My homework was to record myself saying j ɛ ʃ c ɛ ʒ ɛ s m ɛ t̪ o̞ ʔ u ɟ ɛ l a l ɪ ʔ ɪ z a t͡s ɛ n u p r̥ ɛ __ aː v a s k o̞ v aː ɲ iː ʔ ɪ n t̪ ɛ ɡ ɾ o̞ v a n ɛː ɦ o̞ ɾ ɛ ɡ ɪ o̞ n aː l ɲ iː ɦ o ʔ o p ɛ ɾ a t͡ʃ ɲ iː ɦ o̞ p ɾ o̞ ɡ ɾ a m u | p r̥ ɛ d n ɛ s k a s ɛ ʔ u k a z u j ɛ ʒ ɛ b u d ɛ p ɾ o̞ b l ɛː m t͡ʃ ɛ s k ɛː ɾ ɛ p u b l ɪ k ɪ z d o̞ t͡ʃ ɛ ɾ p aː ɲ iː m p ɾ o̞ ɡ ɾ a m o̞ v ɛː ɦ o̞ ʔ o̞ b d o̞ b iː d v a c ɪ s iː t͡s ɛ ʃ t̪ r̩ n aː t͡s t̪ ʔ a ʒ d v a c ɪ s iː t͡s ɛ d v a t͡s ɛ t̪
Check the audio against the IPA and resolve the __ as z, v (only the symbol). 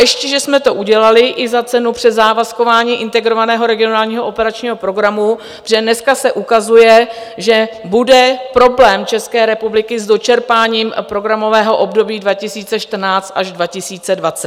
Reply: z